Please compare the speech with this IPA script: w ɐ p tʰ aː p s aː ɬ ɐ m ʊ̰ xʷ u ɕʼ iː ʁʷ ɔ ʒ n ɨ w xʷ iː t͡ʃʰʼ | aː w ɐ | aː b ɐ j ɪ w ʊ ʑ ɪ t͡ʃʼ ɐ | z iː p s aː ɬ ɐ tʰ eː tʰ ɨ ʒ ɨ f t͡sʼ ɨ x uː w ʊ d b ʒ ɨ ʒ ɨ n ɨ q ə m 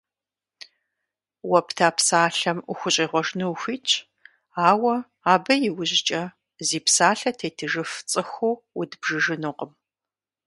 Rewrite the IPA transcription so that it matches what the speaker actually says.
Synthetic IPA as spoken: w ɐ p tʰ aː p s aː ɬ ɐ m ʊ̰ xʷ ʊ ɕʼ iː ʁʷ ɔ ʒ n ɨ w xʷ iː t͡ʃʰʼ | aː w ɐ | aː b ɐ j ɪ w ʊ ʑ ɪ t͡ʃʼ ɐ | z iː p s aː ɬ ɐ tʰ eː tʰ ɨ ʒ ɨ f t͡sʼ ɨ x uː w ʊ d b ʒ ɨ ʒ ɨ n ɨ q ə m

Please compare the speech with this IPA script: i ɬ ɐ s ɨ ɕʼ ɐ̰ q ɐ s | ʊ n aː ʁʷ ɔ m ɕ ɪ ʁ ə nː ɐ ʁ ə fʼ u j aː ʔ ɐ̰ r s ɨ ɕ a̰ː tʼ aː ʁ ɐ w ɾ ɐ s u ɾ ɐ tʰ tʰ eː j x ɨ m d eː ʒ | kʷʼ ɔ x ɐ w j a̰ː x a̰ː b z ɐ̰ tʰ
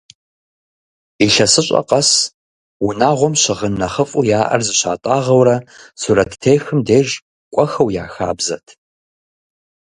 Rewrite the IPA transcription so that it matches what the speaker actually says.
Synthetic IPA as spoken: i ɬ ɐ s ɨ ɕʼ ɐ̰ q ɐ s | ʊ n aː ʁʷ ɔ m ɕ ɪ ʁ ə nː ɐ χ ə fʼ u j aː ʔ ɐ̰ r z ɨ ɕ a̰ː tʼ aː ʁ ɐ w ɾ ɐ s u ɾ ɐ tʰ tʰ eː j x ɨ m d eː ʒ | kʷʼ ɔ x ɐ w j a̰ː x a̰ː b z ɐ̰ tʰ

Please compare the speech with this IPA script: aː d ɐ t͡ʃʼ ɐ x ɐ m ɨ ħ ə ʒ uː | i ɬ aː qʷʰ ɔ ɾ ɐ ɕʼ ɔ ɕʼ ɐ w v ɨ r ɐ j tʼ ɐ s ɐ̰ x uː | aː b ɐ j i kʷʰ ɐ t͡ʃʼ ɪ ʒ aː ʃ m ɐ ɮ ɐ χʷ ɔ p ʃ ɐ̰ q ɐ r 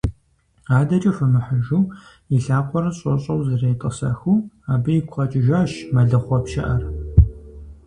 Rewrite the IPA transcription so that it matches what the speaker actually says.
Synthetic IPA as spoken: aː d ɐ t͡ʃʼ ɐ f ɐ m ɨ ħ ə ʒ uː | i ɬ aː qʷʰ ɔ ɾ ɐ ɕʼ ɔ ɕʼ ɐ w z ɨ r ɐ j tʼ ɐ s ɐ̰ x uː | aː b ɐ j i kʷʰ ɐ t͡ʃʼ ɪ ʒ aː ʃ m ɐ ɮ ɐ χʷ ɔ p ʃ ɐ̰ ʔ ɐ r

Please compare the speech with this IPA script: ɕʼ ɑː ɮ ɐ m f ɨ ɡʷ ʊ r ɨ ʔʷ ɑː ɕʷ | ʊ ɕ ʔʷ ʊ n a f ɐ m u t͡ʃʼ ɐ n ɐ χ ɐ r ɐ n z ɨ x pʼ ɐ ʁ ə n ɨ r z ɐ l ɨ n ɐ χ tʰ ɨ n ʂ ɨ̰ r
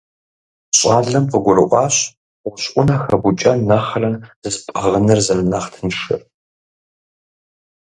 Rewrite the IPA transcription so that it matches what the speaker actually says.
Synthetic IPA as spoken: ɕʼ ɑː ɮ ɐ m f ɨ ɡʷ ʊ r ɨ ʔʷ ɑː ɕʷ | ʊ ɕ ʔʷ ʊ n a x ɐ b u t͡ʃʼ ɐ n ɐ χ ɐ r ɐ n z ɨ s pʼ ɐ ʁ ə n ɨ r z ɐ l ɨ n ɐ χ tʰ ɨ n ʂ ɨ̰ r

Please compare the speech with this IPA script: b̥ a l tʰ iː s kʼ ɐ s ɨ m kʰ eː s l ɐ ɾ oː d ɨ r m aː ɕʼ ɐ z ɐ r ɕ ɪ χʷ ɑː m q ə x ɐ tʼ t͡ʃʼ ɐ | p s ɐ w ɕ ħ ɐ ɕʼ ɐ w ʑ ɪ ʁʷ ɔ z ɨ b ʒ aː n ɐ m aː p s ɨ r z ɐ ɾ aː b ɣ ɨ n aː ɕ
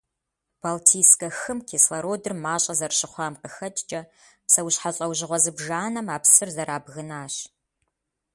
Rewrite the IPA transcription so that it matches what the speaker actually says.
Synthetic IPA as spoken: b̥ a l tʰ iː s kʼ ɐ x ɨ m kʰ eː s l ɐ ɾ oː d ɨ r m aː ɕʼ ɐ z ɐ r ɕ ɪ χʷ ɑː m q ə x ɐ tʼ t͡ʃʼ ɐ | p s ɐ w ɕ ħ a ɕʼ ɐ w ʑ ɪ ʁʷ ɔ z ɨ b ʒ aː n ɐ m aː p s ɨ r z ɐ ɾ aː b ɣ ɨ n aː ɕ

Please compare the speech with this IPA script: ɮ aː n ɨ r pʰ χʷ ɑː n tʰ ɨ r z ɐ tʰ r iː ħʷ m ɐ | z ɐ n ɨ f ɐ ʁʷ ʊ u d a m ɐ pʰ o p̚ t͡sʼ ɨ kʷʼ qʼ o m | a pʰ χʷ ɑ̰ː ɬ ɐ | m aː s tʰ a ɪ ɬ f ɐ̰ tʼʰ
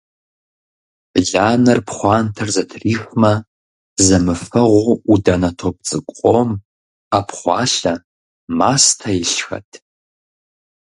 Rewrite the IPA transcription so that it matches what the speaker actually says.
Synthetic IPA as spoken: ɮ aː n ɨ r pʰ χʷ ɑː n tʰ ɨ r z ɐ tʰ r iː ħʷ m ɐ | z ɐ m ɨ f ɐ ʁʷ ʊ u d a n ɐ tʰ o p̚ t͡sʼ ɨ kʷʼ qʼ o m | a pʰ χʷ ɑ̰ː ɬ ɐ | m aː s tʰ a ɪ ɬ x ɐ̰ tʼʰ

